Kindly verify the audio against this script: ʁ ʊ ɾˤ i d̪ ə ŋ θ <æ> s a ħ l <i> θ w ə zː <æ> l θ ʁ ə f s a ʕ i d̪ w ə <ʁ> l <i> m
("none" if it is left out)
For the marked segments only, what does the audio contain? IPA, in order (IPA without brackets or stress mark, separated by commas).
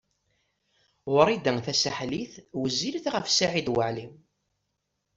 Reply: æ, i, i, ʕ, i